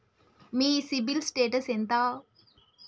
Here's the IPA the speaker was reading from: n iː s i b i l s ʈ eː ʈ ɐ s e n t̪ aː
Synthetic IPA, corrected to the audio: m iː s i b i l s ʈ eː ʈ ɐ s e n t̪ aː